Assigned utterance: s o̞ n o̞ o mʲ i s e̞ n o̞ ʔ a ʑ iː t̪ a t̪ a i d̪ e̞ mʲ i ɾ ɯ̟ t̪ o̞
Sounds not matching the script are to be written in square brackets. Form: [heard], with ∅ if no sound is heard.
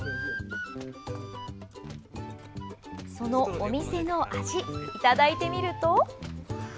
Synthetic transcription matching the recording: s o̞ n o̞ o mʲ i s e̞ n o̞ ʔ a ʑ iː t̪ a [d̪] a i [t̪] e̞ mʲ i ɾ ɯ̟ t̪ o̞